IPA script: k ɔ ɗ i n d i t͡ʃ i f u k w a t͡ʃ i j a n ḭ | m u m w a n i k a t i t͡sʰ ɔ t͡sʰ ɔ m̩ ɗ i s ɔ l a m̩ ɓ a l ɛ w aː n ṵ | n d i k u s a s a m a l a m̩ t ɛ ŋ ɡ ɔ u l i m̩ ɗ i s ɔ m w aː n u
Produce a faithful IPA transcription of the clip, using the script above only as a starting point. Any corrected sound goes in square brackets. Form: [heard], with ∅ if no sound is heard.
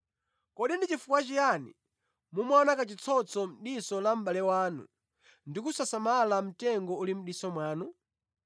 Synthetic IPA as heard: k ɔ ɗ i n d i t͡ʃ i f u k w a t͡ʃ i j a n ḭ | m u m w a n [a] k a [t͡ʃ] i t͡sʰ ɔ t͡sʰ ɔ m̩ ɗ i s ɔ l a m̩ ɓ a l ɛ w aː n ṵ | n d i k u s a s a m a l a m̩ t ɛ ŋ ɡ ɔ u l i m̩ ɗ i s ɔ m w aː n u